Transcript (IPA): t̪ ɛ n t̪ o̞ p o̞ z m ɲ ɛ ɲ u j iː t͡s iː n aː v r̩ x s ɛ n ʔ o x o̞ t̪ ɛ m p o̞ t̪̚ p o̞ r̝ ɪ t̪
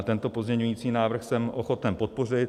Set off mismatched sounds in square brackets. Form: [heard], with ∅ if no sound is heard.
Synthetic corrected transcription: t̪ ɛ n t̪ o̞ p o̞ z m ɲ ɛ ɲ u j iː t͡s iː n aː v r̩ x s ɛ [m] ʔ o x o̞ t̪ ɛ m p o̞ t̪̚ p o̞ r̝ ɪ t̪